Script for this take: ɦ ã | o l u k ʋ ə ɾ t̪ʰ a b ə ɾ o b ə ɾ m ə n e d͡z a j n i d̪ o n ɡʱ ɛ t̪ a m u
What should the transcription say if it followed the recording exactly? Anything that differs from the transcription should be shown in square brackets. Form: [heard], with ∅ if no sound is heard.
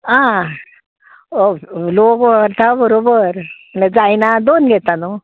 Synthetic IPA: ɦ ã | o l [o] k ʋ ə ɾ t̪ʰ a b ə ɾ o b ə ɾ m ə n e d͡z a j n [a] d̪ o n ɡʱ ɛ t̪ a [n] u